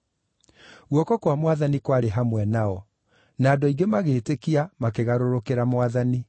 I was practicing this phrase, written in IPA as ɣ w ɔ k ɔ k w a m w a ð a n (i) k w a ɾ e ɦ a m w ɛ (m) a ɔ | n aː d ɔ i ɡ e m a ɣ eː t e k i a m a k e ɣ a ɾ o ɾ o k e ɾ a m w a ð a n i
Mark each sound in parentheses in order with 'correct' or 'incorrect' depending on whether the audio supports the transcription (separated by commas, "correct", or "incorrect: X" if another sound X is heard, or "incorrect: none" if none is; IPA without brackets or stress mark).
correct, incorrect: n